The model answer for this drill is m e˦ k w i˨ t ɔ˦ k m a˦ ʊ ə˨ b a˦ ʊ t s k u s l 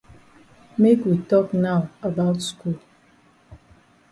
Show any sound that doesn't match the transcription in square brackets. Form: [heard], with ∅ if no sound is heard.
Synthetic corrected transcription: m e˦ k w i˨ t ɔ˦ k [n] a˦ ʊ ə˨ b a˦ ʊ t s k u [∅] l

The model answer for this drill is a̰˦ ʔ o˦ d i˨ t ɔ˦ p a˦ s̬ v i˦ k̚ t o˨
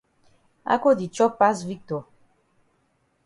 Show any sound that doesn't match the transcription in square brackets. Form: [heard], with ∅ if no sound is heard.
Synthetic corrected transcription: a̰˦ [k] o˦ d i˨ [t͡ʃ] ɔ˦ p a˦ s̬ v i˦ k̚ t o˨

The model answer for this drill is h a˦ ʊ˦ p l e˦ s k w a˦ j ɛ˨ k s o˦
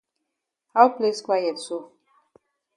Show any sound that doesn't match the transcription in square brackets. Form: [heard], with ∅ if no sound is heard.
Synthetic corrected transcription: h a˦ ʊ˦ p l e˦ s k w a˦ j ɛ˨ [t] s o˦

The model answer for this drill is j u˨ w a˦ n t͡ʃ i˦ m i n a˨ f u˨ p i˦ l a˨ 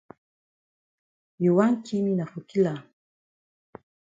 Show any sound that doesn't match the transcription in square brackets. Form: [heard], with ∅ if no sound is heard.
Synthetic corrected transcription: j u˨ w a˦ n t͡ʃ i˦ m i n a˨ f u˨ [k] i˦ l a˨

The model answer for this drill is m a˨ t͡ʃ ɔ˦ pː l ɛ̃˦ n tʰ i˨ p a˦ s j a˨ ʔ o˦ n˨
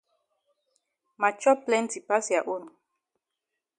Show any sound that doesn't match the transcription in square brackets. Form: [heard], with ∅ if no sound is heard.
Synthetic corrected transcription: m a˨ t͡ʃ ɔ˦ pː l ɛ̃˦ n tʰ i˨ p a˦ s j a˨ ʔ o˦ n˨

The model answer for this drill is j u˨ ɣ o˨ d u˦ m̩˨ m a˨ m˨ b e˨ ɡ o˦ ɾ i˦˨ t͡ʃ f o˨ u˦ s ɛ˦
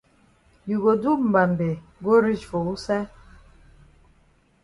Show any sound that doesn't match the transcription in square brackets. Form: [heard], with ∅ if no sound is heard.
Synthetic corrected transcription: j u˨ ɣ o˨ d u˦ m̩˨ [b] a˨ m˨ b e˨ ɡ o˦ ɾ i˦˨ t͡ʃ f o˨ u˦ s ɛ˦

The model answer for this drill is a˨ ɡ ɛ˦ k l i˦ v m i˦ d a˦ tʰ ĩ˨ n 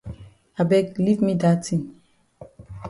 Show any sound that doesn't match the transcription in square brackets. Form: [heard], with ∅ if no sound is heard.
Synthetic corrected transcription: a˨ [b] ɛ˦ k l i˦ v m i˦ d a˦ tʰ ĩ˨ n

